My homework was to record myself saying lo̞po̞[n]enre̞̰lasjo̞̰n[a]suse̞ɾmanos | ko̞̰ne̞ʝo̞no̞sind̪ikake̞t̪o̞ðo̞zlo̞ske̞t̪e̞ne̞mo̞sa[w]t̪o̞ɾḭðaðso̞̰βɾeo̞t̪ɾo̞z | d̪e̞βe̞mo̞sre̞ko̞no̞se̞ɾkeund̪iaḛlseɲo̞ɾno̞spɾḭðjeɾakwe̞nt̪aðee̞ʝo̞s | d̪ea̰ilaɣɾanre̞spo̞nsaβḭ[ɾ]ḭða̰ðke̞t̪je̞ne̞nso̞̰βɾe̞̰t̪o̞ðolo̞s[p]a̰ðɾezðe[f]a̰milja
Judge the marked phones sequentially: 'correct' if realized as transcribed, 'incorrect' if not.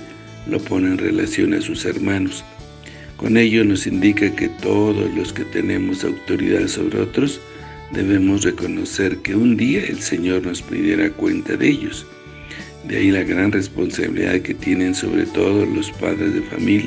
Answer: correct, correct, correct, incorrect: l, correct, correct

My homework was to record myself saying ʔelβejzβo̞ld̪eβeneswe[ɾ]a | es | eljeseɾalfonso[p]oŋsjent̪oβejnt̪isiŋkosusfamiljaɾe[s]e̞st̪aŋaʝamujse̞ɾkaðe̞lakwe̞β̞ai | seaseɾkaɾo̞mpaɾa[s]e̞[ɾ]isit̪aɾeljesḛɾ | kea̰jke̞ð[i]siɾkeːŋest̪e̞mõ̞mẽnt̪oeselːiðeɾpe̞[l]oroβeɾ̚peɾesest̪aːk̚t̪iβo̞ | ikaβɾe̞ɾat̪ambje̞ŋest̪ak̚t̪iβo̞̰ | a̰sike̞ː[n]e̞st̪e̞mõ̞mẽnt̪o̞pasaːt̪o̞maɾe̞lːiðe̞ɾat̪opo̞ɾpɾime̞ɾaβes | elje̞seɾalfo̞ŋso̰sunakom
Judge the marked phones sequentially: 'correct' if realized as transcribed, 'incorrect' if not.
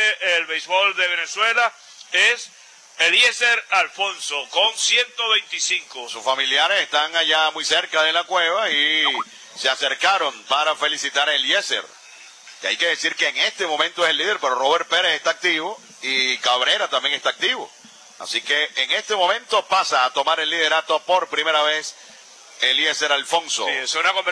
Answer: incorrect: l, incorrect: k, correct, incorrect: f, incorrect: l, incorrect: e, incorrect: ɾ, incorrect: ŋ

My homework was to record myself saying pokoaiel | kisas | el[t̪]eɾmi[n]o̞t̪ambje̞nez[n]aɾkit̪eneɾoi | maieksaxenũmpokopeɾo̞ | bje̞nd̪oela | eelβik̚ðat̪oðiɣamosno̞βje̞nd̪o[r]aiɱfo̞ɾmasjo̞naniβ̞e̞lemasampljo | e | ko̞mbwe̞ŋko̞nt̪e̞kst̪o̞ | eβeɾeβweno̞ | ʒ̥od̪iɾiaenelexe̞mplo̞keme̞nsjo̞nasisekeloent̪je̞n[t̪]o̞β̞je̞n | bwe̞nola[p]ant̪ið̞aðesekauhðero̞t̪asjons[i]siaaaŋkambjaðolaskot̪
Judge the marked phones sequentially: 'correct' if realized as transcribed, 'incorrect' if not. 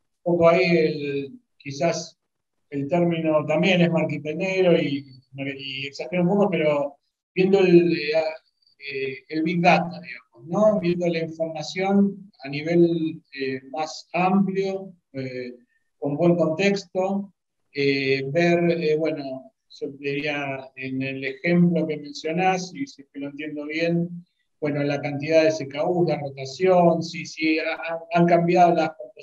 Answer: correct, correct, incorrect: m, incorrect: l, incorrect: d̪, incorrect: k, correct

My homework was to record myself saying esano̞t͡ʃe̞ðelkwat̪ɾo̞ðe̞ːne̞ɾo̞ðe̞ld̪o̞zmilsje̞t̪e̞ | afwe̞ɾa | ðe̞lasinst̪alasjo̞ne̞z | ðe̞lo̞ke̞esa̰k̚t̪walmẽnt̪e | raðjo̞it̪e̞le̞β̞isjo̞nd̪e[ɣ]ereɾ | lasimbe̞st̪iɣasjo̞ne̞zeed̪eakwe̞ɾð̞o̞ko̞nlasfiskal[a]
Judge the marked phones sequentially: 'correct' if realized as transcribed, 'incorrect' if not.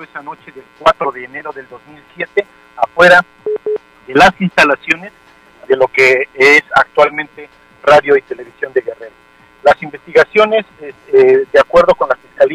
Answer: correct, incorrect: i

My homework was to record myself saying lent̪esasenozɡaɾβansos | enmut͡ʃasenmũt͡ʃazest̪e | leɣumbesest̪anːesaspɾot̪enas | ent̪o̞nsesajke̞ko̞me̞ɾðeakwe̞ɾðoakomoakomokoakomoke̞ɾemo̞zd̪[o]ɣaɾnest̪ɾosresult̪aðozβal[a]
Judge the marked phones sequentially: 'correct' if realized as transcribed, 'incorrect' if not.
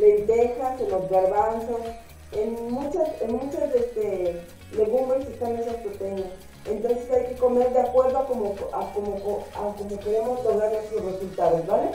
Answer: correct, incorrect: e

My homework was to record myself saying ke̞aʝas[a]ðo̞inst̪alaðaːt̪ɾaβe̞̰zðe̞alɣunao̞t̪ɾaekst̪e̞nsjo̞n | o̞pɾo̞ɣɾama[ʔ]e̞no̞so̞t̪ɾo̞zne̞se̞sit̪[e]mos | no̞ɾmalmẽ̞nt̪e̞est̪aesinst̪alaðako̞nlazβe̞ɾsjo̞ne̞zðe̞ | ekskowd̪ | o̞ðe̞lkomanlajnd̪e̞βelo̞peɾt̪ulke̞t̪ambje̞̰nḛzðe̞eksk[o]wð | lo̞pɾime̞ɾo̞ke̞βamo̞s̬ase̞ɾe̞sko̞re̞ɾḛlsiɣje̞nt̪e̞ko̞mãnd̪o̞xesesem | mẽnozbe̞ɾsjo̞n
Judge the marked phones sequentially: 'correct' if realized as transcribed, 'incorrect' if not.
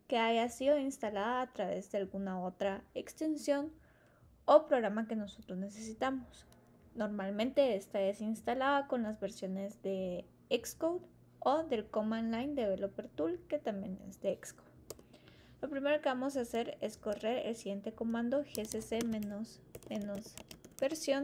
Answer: incorrect: i, incorrect: k, incorrect: a, correct

